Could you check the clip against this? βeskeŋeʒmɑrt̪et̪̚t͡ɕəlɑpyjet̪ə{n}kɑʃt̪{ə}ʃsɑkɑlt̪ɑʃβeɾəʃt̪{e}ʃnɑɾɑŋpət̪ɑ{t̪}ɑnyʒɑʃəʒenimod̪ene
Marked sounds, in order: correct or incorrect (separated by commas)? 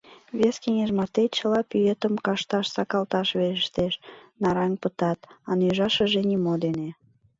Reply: incorrect, incorrect, correct, correct